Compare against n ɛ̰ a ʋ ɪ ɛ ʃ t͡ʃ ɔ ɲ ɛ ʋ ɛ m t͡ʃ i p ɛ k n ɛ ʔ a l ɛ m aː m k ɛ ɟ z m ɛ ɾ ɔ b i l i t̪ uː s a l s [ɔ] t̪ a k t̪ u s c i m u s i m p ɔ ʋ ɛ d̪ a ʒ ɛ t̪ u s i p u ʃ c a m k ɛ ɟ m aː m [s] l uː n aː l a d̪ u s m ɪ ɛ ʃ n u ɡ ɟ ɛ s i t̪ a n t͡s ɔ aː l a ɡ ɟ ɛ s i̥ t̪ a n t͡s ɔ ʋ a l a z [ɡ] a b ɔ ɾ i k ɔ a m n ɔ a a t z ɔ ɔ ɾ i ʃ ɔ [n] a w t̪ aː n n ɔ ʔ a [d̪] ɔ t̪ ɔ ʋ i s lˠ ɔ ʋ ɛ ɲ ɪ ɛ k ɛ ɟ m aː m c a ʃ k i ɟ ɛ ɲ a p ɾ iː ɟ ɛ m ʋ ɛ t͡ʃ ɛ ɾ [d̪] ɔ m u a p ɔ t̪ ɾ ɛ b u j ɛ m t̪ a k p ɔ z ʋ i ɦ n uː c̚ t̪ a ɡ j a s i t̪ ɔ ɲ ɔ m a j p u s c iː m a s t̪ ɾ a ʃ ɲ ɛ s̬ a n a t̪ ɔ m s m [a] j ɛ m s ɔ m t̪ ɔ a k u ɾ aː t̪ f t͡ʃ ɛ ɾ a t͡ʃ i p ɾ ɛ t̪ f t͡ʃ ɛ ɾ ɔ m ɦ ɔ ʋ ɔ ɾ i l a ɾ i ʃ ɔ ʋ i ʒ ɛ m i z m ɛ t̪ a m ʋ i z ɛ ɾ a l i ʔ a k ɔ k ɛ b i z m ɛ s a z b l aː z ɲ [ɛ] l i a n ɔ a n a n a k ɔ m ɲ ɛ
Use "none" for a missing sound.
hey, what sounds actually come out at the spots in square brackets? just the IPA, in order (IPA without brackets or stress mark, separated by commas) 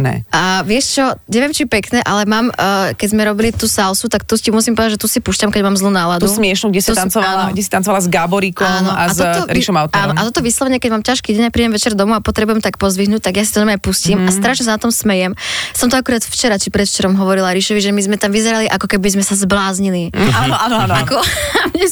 u, z, ɡ, m, t̪, d̪, ɛ, i